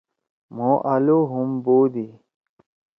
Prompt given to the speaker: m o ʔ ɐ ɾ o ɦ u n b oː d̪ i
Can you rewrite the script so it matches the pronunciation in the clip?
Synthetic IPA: m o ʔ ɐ l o ɦ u m b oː d̪ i